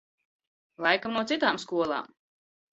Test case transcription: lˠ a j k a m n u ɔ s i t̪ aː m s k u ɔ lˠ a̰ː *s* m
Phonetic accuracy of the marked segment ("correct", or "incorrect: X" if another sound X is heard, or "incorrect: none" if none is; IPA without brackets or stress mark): incorrect: none